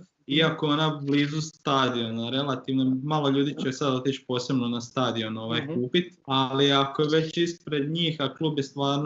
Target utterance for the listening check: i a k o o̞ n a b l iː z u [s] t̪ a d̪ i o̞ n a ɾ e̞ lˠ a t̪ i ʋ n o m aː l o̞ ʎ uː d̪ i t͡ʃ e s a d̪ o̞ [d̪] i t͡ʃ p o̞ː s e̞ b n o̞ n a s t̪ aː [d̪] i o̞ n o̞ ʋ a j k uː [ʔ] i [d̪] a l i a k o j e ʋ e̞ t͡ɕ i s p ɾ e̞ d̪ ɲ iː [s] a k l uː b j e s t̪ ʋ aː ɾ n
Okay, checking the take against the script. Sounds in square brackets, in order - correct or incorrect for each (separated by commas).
correct, incorrect, correct, incorrect, incorrect, incorrect